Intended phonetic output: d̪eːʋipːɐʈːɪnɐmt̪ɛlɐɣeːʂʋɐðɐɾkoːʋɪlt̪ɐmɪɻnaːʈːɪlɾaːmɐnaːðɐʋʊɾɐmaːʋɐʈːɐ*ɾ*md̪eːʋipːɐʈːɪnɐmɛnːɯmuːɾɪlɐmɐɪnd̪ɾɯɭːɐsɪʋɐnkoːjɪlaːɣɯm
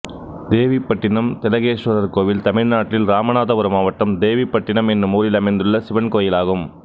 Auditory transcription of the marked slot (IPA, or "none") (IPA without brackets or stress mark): none